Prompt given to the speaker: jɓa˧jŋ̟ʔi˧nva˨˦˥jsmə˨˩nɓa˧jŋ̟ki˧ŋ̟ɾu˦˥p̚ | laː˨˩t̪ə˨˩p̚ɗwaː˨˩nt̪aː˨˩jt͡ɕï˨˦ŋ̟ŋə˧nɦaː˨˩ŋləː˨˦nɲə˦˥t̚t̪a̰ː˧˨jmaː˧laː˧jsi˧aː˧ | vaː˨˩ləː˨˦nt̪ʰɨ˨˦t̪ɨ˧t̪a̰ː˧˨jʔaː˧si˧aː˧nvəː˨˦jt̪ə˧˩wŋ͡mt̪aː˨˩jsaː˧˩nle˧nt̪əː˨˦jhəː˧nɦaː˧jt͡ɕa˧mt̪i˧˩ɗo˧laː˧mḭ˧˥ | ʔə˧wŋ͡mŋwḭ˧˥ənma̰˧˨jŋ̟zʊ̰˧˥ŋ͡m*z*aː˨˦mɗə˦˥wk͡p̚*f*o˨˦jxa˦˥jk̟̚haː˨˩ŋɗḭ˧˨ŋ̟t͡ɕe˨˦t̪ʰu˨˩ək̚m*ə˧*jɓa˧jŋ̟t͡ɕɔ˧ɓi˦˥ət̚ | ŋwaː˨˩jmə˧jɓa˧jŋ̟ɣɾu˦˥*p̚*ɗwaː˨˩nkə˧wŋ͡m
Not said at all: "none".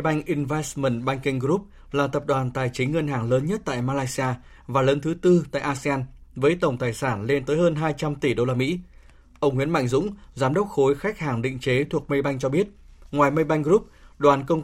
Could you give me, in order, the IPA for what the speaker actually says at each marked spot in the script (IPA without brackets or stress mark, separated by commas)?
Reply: z, x, ə˧, p̚